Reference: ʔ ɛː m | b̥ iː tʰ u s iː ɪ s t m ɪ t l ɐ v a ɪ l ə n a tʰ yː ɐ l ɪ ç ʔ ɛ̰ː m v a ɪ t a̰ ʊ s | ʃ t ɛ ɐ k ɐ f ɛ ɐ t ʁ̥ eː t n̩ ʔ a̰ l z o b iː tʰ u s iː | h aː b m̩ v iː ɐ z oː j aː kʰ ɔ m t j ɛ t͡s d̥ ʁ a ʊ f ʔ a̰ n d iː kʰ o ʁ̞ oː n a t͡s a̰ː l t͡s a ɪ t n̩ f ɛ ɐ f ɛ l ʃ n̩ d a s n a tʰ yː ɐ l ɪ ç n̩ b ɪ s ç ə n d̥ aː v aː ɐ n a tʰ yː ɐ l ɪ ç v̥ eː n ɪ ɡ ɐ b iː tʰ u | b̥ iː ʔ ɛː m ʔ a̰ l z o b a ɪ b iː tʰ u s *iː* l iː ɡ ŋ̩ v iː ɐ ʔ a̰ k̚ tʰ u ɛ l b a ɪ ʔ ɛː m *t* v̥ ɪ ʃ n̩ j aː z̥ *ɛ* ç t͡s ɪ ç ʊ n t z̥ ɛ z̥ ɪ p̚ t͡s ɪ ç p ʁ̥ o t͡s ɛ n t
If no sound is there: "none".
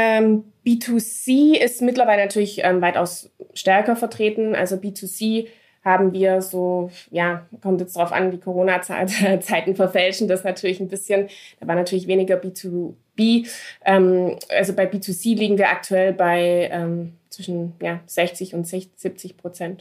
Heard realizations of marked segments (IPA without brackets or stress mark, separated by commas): iː, t͡s, ɛ